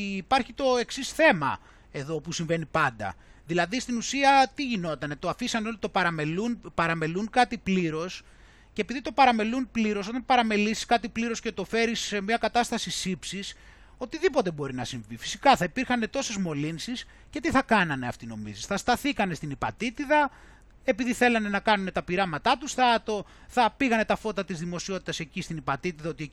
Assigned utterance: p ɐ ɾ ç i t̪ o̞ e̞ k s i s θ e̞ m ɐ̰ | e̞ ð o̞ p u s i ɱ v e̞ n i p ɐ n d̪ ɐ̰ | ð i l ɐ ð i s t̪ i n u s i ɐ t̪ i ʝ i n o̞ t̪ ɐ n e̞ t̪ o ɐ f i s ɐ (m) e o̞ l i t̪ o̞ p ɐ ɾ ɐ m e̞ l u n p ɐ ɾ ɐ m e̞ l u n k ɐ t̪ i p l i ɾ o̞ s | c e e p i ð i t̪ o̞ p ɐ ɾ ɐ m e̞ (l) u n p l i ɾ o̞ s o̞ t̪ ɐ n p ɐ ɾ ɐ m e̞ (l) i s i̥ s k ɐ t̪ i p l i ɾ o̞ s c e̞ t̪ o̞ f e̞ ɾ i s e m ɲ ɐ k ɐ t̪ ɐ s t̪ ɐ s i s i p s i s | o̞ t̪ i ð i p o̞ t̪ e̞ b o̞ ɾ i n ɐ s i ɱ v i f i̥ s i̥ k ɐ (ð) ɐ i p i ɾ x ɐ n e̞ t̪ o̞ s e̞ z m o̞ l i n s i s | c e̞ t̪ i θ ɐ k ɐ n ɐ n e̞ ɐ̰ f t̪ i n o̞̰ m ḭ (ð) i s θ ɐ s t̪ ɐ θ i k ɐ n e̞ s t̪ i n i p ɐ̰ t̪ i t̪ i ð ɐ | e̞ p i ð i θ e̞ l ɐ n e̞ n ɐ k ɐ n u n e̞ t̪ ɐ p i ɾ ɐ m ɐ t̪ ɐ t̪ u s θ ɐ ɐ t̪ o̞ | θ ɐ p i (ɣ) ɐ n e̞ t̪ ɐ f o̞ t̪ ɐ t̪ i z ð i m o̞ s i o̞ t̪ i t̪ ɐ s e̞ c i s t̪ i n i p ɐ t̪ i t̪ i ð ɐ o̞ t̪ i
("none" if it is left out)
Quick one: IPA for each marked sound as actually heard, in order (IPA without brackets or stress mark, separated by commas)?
n, l, l, θ, z, ɣ